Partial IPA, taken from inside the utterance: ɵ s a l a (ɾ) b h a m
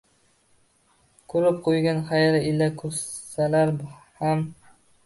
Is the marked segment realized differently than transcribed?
no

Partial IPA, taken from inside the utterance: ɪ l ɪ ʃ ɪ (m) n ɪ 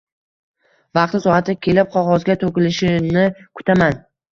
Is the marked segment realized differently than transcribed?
yes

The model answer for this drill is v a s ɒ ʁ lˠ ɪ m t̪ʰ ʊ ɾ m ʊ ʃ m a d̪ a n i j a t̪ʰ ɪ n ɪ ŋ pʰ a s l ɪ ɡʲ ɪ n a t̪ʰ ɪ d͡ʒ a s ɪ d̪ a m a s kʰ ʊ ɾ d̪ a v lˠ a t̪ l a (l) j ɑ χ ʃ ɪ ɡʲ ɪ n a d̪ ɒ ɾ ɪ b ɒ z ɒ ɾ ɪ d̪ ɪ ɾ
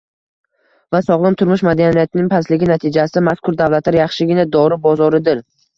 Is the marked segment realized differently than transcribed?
yes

